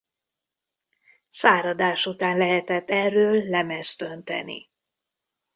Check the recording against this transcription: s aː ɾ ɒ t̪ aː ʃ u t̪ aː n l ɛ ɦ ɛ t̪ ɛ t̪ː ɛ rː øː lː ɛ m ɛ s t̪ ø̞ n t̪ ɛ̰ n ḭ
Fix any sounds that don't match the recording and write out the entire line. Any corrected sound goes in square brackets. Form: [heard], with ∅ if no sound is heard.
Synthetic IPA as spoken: s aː ɾ ɒ [d̪] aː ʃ u t̪ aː n l ɛ ɦ ɛ t̪ ɛ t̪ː ɛ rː øː lː ɛ m ɛ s t̪ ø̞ n t̪ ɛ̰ n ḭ